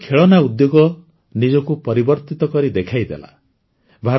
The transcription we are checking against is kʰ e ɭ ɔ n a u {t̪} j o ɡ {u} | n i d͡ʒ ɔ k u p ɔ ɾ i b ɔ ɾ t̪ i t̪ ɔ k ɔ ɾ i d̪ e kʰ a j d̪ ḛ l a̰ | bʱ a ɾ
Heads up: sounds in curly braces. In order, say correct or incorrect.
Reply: incorrect: d̪, incorrect: ɔ

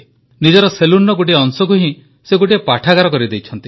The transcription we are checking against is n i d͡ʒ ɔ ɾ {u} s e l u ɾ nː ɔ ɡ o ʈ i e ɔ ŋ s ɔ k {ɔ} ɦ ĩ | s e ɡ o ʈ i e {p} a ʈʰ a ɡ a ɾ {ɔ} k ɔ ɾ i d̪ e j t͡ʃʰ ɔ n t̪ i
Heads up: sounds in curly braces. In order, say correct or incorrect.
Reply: incorrect: ɔ, incorrect: u, correct, correct

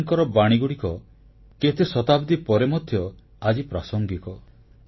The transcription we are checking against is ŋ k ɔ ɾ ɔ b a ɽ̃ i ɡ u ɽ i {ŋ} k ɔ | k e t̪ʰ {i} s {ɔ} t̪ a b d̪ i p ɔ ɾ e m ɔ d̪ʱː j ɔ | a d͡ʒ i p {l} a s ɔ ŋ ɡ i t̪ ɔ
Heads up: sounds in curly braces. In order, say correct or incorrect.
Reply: incorrect: none, incorrect: e, correct, incorrect: ɾ

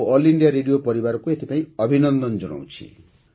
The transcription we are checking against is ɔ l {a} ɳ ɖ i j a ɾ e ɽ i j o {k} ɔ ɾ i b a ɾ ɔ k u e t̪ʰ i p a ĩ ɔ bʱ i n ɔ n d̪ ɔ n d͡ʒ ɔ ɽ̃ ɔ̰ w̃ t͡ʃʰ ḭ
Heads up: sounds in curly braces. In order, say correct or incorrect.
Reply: incorrect: i, incorrect: p

